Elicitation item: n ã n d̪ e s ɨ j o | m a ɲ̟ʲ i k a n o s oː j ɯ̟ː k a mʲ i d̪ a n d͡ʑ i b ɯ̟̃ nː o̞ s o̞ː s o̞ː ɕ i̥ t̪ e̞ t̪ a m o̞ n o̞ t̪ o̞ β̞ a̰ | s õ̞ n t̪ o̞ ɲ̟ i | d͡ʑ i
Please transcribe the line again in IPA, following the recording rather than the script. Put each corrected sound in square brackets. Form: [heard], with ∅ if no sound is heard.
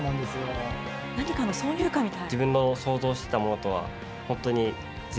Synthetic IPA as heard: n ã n d̪ e s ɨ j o | [n] a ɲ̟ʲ i k a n o s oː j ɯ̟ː k a mʲ i [t̪] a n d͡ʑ i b ɯ̟̃ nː o̞ s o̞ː [z] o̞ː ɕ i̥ t̪ e̞ t̪ a m o̞ n o̞ t̪ o̞ β̞ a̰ | [h] õ̞ n t̪ o̞ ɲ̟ i | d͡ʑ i